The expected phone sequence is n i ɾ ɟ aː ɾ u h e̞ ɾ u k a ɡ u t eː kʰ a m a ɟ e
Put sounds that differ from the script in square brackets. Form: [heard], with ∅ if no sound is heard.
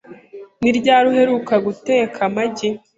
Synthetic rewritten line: n i ɾ ɟ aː ɾ u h e̞ ɾ u k a ɡ u t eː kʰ a m a ɟ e